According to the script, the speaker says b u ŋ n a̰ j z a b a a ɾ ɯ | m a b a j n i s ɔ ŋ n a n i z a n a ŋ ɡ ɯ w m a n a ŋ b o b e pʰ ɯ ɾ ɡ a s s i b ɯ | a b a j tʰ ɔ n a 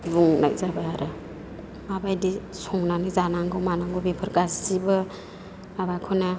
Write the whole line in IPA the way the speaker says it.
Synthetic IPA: b u ŋ n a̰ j z a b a a ɾ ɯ | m a b a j d i s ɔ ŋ n a n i z a n a ŋ ɡ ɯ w m a n a ŋ ɡ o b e pʰ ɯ ɾ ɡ a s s i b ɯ | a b a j kʰ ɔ n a